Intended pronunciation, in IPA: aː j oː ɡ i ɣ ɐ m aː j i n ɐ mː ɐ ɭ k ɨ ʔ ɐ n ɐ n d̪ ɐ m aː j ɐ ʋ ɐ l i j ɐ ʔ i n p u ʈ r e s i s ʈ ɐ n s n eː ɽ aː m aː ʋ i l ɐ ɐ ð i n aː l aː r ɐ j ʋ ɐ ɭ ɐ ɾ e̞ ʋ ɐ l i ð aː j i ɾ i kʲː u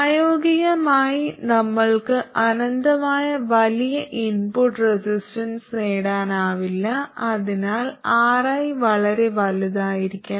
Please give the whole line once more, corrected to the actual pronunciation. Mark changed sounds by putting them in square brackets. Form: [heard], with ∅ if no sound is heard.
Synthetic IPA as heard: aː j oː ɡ i ɣ ɐ m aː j i n ɐ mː ɐ ɭ k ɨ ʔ ɐ n ɐ n d̪ ɐ m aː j ɐ ʋ ɐ l i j ɐ ʔ i n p u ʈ r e s i s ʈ ɐ n s n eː ɽ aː [n] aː ʋ i [lː] ɐ ɐ ð i n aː l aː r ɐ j ʋ ɐ ɭ ɐ ɾ e̞ ʋ ɐ l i ð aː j i ɾ i kʲː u

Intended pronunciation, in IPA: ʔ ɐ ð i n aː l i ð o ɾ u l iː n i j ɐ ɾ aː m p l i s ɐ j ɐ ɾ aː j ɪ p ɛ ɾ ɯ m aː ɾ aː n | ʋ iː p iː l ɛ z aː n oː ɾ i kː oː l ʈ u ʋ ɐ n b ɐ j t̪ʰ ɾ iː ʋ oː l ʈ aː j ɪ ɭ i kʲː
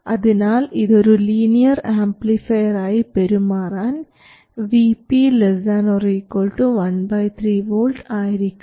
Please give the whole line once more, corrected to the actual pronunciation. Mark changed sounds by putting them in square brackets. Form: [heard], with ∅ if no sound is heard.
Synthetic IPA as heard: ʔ ɐ ð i n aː l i ð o ɾ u l iː n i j ɐ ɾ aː m p l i [f] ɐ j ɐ ɾ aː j [i] p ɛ ɾ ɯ m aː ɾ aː n | ʋ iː p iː l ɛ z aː n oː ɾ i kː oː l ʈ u ʋ ɐ n b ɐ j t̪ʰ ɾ iː ʋ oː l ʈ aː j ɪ [ɾ] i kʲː

